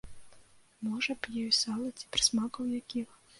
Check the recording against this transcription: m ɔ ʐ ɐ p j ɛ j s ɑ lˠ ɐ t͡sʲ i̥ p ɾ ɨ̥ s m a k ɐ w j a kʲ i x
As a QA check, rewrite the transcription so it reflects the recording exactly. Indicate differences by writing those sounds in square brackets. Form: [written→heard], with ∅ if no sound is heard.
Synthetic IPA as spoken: m ɔ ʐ ɐ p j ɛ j s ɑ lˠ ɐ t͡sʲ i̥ p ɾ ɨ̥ s m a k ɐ w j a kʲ i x